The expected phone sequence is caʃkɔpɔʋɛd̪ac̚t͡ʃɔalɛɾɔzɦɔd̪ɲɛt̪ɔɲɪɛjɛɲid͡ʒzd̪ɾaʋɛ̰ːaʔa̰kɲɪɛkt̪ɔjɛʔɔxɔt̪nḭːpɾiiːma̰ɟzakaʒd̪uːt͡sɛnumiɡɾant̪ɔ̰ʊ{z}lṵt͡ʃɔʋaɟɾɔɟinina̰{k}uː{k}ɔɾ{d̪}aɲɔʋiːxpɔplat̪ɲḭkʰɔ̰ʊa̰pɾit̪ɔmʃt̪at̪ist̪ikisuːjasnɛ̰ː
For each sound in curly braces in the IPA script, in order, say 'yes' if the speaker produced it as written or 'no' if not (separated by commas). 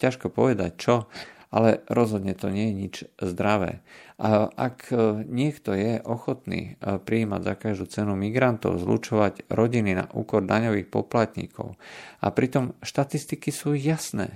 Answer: yes, no, yes, yes